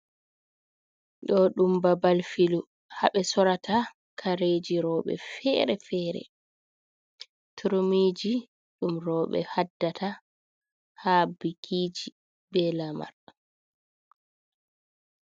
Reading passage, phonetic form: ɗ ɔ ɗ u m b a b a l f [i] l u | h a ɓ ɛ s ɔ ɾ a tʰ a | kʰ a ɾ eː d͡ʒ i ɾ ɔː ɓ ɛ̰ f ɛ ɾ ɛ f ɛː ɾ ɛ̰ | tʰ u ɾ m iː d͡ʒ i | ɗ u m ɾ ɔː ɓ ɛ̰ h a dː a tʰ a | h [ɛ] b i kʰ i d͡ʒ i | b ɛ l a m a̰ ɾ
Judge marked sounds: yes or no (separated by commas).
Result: yes, no